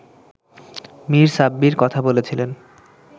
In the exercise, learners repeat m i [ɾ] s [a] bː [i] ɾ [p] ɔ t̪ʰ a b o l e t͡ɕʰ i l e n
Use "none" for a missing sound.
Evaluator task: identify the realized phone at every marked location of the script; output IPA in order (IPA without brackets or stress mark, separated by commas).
ɾ, a, i, k